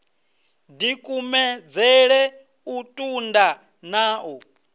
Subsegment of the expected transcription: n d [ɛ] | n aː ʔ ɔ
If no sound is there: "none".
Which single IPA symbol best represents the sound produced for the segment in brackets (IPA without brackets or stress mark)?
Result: a